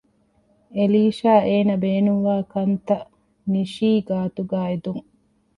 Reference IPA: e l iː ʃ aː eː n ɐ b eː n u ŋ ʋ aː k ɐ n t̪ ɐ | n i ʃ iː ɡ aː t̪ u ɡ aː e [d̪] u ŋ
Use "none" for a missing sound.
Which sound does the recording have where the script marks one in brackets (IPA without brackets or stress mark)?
d̪